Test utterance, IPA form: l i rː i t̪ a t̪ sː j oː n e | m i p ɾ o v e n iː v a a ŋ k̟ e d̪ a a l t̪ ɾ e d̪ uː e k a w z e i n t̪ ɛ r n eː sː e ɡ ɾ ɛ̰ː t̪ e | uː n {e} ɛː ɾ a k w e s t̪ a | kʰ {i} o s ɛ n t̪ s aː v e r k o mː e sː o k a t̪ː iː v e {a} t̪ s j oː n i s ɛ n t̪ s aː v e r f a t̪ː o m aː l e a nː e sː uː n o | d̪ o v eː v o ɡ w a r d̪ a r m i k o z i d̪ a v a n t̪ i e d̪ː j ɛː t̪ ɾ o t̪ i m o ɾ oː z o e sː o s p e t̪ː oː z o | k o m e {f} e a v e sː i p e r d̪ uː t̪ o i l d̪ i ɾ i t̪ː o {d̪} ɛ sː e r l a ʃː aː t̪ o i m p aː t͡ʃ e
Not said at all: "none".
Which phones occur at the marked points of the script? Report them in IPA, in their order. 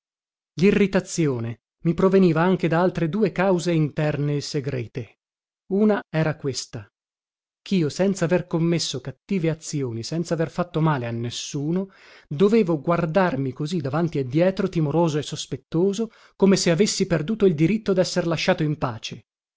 a, iː, a, s, d̪

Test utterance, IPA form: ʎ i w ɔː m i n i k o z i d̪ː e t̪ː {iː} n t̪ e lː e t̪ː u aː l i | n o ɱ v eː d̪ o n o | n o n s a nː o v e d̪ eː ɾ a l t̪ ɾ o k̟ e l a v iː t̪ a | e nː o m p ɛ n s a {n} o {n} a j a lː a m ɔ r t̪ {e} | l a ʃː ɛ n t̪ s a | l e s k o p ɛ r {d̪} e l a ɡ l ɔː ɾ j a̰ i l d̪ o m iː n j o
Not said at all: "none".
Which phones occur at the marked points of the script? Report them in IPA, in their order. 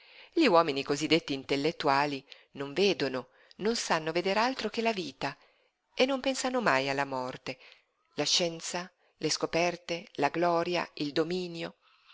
iː, n, m, e, t̪

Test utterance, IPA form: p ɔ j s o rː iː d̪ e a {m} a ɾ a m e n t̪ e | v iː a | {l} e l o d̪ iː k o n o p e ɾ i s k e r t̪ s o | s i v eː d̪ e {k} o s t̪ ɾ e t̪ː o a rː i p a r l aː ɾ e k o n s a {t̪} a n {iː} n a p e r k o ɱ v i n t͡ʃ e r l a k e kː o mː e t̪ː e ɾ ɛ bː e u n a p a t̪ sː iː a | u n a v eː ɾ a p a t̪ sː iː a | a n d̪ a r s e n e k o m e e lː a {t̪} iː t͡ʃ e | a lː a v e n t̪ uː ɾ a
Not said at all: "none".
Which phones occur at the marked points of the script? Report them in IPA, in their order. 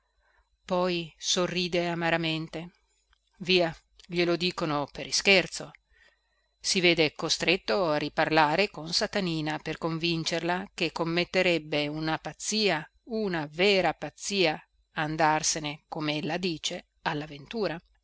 m, ʎ, k, t̪, iː, d̪

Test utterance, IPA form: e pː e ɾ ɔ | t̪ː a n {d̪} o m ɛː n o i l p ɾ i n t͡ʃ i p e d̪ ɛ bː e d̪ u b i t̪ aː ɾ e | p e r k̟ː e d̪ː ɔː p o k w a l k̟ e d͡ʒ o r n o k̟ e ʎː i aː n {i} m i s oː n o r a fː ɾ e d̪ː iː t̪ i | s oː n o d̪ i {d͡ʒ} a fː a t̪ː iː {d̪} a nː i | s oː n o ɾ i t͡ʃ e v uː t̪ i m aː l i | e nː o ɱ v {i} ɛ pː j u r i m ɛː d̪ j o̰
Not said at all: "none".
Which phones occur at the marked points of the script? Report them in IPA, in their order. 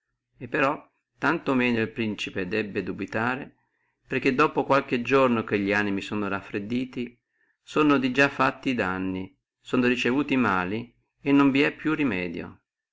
t̪, i, d͡ʒ, d̪, i

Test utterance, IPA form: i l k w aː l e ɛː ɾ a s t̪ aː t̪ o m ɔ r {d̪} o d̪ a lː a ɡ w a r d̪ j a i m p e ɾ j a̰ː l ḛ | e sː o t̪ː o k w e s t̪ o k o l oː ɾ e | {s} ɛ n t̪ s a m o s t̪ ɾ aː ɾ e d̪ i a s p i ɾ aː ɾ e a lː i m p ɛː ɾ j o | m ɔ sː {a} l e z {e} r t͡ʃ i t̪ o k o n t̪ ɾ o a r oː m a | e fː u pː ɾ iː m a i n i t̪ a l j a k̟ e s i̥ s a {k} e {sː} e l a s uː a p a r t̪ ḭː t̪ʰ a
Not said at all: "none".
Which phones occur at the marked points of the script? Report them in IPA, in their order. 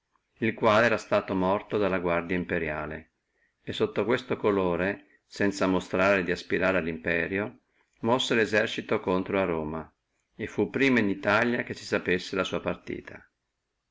t̪, s, e, ɛ, p, sː

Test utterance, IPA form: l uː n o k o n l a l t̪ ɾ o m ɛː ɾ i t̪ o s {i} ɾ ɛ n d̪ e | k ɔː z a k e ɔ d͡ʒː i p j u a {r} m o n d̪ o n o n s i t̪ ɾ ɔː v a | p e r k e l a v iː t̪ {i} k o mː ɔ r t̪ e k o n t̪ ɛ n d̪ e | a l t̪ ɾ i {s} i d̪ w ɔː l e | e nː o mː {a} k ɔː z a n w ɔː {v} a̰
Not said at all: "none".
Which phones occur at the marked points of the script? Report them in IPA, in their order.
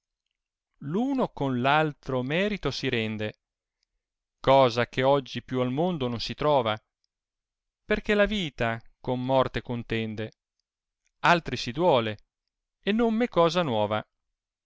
i, l, a, s, e, v

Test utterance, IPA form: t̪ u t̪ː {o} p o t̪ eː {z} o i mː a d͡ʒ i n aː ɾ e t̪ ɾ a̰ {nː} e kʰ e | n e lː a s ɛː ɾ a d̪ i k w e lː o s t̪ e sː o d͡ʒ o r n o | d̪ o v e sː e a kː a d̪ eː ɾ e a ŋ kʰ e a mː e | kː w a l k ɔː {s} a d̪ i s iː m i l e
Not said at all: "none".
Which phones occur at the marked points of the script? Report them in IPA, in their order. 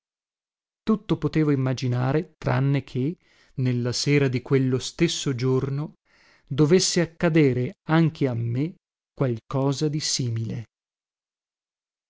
o, v, nː, z

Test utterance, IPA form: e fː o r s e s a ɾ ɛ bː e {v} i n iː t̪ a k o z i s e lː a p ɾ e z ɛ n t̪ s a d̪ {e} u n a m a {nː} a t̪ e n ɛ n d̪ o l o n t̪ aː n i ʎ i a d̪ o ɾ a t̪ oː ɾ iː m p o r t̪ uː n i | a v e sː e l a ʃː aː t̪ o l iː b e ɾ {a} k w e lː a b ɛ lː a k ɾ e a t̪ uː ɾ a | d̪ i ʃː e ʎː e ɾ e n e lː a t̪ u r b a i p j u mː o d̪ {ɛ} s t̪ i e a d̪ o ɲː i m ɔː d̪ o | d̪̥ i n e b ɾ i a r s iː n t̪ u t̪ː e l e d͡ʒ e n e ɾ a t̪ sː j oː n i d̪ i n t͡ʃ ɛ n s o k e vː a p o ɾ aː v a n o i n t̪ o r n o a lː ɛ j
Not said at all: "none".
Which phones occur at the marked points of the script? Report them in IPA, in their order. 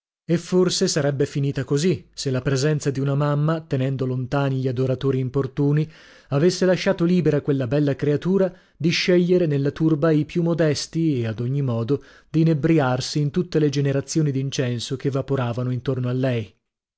f, i, mː, a, ɛ

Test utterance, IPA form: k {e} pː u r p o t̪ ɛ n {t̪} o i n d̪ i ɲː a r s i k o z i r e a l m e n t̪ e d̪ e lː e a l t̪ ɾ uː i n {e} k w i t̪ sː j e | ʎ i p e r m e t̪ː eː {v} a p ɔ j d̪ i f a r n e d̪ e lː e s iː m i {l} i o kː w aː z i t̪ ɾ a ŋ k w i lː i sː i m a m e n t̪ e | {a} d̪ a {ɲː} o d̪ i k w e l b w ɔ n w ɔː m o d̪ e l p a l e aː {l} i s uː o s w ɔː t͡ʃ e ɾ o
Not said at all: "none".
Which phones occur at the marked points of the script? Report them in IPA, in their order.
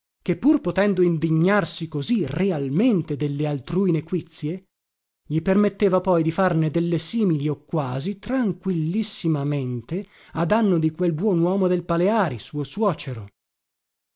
e, d̪, e, v, l, a, nː, ɾ

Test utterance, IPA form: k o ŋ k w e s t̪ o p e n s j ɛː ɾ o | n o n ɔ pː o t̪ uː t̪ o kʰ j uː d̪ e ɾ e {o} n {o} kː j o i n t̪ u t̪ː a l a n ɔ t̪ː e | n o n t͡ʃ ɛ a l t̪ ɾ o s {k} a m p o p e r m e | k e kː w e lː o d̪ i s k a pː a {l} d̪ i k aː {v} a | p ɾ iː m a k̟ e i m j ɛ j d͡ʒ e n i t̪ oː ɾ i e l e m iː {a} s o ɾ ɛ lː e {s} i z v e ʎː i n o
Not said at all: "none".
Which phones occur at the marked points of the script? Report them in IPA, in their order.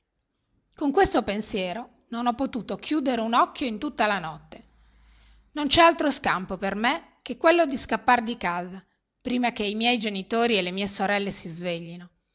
u, ɔ, k, r, z, e, s

